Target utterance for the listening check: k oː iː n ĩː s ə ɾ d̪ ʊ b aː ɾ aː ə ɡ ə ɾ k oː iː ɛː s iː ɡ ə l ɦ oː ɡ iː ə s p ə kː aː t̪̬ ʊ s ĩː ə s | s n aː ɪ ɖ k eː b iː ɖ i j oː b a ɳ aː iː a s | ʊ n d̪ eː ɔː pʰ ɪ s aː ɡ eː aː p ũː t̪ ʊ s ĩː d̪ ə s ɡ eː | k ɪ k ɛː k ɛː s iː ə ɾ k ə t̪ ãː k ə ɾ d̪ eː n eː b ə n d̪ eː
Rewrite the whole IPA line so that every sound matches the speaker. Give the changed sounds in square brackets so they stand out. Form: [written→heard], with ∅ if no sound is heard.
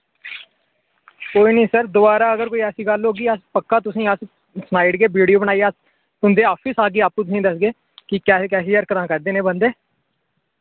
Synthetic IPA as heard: k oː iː n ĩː s ə ɾ d̪ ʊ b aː ɾ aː ə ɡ ə ɾ k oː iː ɛː s iː ɡ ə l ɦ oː ɡ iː ə s p ə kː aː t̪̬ ʊ s ĩː ə s | s n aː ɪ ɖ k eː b iː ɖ i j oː b [a→ə] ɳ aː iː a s | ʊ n d̪ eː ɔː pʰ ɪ s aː ɡ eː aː p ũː t̪ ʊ s ĩː d̪ ə s ɡ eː | k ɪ k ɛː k ɛː s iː ə ɾ k ə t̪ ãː k ə ɾ d̪ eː n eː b ə n d̪ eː